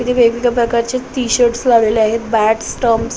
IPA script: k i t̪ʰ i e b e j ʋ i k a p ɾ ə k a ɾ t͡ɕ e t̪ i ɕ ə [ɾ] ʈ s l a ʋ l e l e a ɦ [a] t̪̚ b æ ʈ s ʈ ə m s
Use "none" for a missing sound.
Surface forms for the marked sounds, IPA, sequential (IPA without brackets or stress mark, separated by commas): ɾ, e